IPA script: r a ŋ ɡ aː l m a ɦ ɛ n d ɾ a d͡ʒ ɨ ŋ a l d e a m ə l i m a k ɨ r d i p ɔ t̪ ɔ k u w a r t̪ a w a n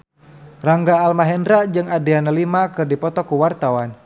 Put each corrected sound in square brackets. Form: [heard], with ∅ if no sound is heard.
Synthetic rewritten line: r a ŋ ɡ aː l m a ɦ ɛ n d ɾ a d͡ʒ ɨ ŋ a [∅] d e a [n] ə l i m a k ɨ r d i p ɔ t̪ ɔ k u w a r t̪ a w a n